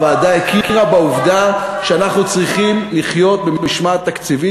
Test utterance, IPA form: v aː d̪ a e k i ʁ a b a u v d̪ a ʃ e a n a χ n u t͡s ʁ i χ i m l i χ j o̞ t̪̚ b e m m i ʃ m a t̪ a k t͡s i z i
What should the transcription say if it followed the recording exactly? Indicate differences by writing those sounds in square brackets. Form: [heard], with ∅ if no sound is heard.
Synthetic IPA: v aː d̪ a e k i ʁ a b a u v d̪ a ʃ e a n a χ n u t͡s ʁ i χ i m l i χ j o̞ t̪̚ b e m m i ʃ m a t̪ a k t͡s i [v] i